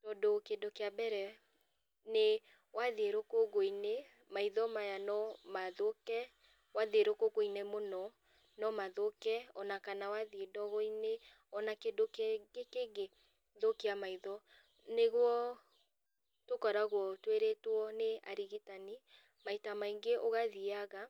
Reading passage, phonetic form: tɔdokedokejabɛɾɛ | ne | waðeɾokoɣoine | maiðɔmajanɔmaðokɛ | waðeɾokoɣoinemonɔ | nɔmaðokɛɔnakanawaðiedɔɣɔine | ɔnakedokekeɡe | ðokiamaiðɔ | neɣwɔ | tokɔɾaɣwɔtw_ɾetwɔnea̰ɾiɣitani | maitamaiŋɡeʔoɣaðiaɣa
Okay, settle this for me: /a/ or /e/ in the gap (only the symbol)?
e